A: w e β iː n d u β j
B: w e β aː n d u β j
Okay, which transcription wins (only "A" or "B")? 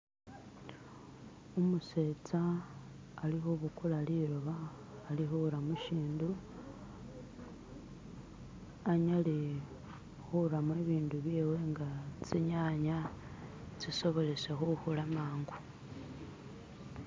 A